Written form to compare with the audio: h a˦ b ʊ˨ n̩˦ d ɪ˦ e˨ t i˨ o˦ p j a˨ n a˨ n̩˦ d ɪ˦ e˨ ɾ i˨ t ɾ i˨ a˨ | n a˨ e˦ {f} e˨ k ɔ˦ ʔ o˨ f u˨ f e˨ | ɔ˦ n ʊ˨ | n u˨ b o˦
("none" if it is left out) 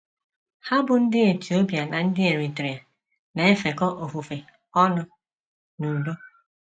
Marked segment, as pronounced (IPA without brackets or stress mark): f